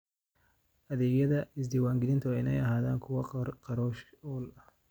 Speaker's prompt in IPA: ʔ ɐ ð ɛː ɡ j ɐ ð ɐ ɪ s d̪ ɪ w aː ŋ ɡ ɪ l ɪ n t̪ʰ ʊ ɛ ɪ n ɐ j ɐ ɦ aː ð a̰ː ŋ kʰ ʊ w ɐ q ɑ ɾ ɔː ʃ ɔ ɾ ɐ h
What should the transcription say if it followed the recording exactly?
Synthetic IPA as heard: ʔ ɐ ð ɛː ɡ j ɐ ð ɐ ɪ s d̪ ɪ w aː ŋ ɡ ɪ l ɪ n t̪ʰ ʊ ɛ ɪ n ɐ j ɐ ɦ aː ð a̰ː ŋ kʰ ʊ w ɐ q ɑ ɾ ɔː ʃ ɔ l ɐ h